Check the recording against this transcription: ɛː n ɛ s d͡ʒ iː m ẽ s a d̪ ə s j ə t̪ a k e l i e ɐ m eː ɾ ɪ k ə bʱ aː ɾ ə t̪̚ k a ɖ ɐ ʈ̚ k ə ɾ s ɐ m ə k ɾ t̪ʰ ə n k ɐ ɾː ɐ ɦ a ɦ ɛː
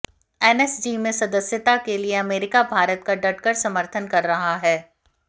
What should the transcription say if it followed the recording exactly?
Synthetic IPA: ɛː n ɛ s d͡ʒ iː m ẽ s ɐ d̪ ə s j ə t̪ a k e l i e ɐ m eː ɾ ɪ k a bʱ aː ɾ ə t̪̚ k a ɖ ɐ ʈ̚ k ə ɾ s ɐ m ə ɾ t̪ʰ ə n k ɐ ɾː ɐ ɦ a ɦ ɛː